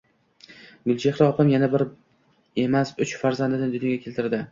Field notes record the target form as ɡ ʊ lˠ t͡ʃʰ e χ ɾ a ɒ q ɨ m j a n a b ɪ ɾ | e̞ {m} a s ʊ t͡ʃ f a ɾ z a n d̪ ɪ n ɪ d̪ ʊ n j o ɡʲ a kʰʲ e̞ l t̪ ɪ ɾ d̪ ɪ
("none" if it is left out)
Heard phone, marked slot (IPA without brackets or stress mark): m